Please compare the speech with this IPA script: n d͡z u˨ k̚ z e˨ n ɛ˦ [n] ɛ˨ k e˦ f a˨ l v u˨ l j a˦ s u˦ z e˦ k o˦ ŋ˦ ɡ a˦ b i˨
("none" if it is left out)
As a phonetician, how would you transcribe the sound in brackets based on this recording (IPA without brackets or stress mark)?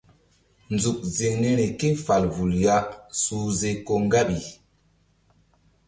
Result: n